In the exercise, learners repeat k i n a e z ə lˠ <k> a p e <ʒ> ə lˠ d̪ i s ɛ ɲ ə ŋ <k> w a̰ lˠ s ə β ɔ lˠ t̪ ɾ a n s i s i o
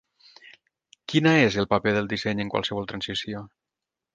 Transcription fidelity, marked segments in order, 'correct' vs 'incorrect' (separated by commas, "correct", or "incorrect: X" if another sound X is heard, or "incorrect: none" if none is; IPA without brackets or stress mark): incorrect: p, incorrect: ð, correct